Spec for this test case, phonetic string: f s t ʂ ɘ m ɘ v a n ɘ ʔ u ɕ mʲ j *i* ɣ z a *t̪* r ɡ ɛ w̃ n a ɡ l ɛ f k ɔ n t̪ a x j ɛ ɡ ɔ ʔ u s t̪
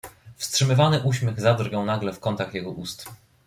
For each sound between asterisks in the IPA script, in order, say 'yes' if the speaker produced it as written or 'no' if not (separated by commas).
no, no